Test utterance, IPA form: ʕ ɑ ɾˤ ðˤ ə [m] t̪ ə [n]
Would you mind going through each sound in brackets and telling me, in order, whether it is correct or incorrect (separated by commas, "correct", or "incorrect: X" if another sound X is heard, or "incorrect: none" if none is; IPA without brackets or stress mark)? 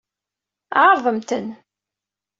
correct, correct